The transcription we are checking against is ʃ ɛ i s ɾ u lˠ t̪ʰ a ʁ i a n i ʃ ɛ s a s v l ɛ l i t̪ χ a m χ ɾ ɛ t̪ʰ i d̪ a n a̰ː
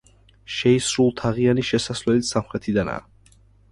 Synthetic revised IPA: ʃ ɛ i s ɾ u lˠ t̪ʰ a ʁ i a n i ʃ ɛ s a s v l ɛ l i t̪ s a m χ ɾ ɛ t̪ʰ i d̪ a n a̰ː